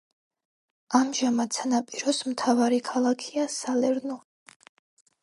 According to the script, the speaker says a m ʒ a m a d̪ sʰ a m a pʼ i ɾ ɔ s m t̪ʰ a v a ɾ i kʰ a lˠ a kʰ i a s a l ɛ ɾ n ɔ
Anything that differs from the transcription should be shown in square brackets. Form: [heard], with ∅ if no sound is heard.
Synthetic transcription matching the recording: a m ʒ a m a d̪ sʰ a [n] a pʼ i ɾ ɔ s m t̪ʰ a v a ɾ i kʰ a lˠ a kʰ i a s a l ɛ ɾ n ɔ